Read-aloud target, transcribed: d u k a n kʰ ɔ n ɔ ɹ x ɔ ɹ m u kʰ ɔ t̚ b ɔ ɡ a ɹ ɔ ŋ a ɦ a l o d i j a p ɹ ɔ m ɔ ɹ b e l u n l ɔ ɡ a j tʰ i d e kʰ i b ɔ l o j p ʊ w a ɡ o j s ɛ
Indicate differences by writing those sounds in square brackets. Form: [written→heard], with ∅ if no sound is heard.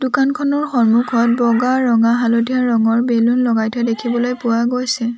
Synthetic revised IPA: d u k a n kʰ ɔ n ɔ ɹ x ɔ ɹ m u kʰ ɔ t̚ b ɔ ɡ a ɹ ɔ ŋ a ɦ a l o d i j a [p→∅] ɹ ɔ [m→ŋ] ɔ ɹ b e l u n l ɔ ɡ a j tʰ [i→ɛ] d e kʰ i b ɔ l o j p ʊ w a ɡ o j s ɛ